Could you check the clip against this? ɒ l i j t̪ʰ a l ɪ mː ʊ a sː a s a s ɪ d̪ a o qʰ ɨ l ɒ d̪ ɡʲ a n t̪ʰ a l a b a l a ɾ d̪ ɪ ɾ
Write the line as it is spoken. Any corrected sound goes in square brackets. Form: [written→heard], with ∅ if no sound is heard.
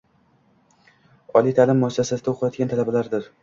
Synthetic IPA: ɒ l i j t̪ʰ a l ɪ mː ʊ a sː a s a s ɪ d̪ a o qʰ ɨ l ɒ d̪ ɡʲ a n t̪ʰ a l a b a l a ɾ d̪ ɪ ɾ